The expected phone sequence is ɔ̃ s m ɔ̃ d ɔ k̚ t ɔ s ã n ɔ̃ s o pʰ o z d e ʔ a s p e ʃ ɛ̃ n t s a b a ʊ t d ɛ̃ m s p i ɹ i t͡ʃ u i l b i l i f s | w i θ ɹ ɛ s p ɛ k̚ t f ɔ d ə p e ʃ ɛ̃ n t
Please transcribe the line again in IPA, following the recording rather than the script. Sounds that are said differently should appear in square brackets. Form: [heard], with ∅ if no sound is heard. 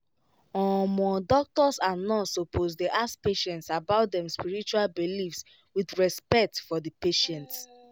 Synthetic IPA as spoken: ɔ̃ [∅] m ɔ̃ d ɔ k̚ t ɔ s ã n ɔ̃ s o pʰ o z d e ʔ a s p e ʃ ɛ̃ n t s a b a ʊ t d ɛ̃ m s p i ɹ i t͡ʃ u [a] l b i l i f s | w i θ ɹ ɛ s p ɛ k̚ t f ɔ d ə p e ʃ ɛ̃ n t